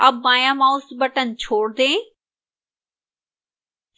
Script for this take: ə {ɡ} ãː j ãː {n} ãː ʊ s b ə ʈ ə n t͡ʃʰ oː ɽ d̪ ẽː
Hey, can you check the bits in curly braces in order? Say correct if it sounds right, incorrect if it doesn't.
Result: incorrect: b, incorrect: m

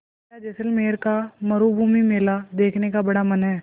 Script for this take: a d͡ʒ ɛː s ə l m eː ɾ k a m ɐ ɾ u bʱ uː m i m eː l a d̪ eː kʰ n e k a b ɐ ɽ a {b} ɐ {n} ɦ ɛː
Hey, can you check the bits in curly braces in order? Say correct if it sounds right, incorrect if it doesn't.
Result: incorrect: m, correct

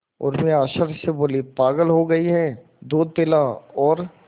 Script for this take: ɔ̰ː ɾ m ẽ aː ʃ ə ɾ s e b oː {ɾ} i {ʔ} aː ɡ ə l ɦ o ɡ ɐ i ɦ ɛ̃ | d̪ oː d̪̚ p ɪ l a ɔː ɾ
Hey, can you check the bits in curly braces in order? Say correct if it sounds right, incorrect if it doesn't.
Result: incorrect: l, incorrect: p

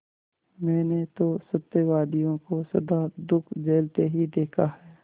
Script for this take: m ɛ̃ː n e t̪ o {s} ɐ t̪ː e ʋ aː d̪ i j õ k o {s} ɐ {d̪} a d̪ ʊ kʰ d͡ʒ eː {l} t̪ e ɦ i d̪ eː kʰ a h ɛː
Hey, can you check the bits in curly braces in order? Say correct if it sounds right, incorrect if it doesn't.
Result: correct, correct, correct, correct

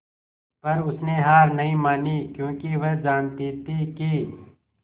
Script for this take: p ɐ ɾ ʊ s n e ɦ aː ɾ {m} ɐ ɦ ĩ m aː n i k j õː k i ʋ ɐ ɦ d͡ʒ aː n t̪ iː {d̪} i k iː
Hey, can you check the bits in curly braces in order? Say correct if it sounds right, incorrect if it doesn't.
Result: incorrect: n, incorrect: t̪

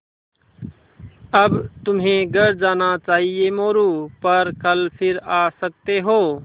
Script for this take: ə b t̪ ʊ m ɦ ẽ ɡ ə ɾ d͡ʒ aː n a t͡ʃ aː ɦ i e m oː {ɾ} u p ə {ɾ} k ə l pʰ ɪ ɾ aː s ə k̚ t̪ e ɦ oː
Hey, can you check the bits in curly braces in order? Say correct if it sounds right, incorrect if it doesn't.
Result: correct, correct

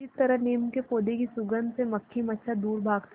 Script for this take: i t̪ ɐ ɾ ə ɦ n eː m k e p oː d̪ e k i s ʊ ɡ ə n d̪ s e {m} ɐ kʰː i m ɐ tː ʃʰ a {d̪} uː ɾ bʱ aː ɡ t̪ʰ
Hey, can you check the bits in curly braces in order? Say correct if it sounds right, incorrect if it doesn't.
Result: correct, correct

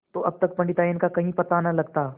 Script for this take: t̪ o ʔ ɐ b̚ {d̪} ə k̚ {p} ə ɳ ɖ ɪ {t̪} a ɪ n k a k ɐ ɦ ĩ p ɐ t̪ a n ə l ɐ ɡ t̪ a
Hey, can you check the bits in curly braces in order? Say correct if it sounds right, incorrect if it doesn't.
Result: incorrect: t̪, correct, correct

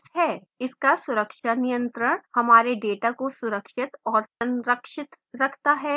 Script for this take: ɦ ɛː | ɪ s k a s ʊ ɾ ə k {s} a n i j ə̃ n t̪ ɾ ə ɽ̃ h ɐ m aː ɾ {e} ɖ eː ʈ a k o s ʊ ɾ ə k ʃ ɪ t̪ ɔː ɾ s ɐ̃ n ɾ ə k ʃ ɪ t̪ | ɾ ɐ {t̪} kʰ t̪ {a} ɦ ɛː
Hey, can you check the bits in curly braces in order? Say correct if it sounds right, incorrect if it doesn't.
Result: incorrect: ʃ, correct, incorrect: none, correct

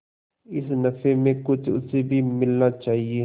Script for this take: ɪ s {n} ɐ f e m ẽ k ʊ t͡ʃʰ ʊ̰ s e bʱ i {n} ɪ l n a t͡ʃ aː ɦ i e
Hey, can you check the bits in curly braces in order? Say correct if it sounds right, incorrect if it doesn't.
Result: correct, incorrect: m

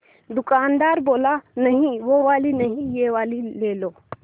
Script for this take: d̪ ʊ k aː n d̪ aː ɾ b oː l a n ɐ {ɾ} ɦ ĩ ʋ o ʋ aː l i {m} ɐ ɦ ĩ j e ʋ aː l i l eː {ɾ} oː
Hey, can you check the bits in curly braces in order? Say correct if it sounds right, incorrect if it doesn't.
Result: incorrect: none, incorrect: n, incorrect: l

